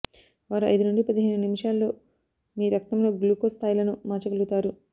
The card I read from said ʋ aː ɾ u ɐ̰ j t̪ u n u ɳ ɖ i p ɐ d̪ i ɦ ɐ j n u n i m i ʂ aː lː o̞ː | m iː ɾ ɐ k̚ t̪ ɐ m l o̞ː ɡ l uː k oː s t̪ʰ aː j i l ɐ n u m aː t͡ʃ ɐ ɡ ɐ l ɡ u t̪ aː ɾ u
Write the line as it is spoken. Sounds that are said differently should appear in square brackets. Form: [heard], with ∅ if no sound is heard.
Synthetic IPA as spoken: ʋ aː ɾ u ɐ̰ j [d̪] u n u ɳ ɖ i p ɐ d̪ i ɦ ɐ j n u n i m i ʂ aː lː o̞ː | m iː ɾ ɐ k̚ t̪ ɐ m l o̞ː ɡ l uː k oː s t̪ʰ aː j i l ɐ n u m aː t͡ʃ ɐ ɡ ɐ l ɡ u t̪ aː ɾ u